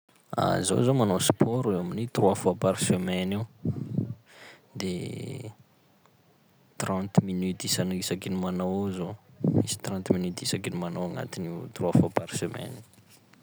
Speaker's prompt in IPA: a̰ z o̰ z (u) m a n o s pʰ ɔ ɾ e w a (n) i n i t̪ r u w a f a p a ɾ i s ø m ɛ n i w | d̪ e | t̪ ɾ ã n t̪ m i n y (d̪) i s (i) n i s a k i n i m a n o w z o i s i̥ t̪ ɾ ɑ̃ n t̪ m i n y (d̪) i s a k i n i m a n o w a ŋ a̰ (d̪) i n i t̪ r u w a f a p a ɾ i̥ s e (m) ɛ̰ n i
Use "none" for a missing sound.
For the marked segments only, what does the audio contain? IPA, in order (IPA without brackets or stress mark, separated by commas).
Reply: o, m, t̪, a, t̪, t̪, m